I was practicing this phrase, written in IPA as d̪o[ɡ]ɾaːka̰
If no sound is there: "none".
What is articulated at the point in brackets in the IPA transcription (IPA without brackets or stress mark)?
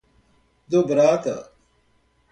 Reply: b